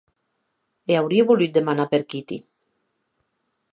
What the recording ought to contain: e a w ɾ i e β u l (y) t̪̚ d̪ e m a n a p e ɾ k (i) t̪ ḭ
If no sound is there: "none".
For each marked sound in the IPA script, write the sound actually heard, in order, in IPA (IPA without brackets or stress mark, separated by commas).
y, i